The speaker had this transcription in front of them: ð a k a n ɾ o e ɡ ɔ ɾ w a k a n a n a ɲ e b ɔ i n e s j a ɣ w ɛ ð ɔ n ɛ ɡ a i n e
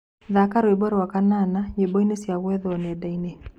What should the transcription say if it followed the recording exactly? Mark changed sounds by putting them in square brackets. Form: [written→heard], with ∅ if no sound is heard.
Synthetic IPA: ð a k a [n→∅] ɾ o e [ɡ→b] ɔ ɾ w a k a n a n a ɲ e b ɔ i n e s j a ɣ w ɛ ð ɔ n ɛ [ɡ→d] a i n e